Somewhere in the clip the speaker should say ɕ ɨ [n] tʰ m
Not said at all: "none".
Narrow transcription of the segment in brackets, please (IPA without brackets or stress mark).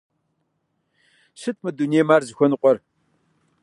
none